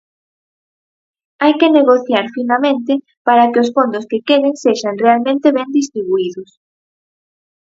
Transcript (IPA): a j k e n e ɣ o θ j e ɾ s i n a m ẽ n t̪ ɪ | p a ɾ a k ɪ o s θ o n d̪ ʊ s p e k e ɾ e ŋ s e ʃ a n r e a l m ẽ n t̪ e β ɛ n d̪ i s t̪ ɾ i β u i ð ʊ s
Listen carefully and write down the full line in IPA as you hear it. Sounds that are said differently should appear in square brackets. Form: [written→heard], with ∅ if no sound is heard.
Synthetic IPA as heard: a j k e n e ɣ o θ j [e→a] ɾ [s→f] i n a m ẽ n t̪ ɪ | p a ɾ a k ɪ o s [θ→f] o n d̪ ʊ s [p→k] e k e ɾ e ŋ s e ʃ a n r e a l m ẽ n t̪ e β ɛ n d̪ i s t̪ ɾ i β u i ð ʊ s